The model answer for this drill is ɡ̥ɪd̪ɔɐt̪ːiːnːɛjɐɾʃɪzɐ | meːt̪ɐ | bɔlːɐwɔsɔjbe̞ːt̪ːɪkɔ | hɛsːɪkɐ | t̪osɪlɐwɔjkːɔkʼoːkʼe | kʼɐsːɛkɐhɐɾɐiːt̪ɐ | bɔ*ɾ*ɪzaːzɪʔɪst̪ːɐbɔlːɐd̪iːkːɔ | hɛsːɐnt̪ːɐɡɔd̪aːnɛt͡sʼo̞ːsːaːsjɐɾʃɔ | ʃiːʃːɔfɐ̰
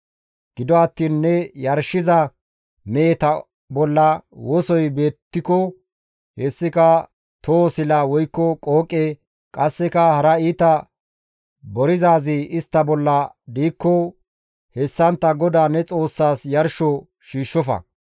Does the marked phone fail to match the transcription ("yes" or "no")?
no